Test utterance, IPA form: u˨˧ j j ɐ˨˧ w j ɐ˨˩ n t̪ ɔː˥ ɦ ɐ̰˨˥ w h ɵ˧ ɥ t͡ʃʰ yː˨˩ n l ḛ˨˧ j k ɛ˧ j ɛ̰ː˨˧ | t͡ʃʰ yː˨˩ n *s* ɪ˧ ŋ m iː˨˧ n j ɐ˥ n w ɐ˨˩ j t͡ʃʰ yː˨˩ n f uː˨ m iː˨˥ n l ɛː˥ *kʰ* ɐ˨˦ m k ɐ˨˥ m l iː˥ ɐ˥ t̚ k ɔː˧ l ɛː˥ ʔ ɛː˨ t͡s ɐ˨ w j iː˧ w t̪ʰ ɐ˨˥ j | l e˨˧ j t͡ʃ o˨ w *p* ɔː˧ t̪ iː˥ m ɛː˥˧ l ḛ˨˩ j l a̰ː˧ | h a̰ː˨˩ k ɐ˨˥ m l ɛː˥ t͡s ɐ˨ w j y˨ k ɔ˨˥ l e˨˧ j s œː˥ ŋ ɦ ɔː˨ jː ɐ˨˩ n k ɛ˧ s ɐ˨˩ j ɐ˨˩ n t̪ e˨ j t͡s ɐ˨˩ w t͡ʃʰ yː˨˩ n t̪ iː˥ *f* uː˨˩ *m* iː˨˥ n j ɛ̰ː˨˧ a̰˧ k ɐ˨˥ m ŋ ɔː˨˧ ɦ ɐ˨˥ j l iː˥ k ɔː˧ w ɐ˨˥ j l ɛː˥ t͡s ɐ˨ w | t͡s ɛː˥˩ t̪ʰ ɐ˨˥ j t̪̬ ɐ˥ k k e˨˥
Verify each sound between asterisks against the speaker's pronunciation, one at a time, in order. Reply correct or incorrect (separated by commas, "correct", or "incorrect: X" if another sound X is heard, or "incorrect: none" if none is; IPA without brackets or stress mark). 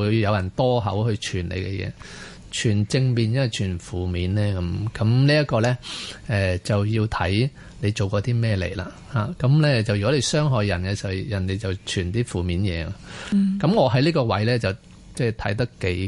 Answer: incorrect: t͡s, incorrect: k, incorrect: k, correct, correct